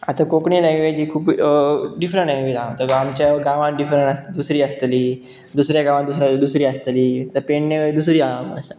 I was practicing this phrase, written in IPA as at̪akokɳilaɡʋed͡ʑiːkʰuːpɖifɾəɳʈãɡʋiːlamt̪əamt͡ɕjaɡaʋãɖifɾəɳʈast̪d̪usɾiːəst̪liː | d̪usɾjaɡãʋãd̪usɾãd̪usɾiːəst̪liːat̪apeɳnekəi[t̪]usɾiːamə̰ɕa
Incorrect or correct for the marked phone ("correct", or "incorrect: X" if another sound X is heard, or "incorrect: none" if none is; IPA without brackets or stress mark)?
incorrect: d̪